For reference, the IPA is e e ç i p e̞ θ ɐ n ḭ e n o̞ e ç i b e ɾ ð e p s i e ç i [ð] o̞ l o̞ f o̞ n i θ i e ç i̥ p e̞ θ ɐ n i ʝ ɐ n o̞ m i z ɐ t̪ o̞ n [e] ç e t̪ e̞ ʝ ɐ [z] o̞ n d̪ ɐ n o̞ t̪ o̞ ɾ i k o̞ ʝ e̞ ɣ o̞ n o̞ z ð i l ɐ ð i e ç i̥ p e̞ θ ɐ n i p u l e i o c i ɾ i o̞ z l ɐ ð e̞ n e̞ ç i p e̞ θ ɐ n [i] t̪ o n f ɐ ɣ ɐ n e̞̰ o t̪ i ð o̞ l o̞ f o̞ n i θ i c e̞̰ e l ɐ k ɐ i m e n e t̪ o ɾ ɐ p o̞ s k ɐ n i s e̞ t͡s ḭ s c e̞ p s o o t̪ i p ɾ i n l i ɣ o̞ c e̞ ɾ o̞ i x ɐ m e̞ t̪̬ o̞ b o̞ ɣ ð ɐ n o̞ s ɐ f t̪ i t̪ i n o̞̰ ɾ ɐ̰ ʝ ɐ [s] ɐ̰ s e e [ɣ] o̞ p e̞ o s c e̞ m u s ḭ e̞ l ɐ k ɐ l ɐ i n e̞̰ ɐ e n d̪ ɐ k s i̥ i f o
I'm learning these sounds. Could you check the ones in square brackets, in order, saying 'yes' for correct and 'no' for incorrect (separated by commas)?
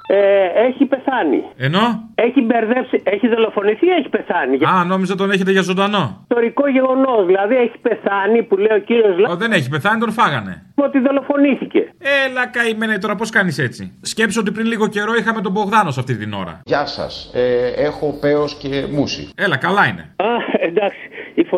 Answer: yes, yes, yes, yes, yes, no